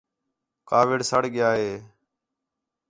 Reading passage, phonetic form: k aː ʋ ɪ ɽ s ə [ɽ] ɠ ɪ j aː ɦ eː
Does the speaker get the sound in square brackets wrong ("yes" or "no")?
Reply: no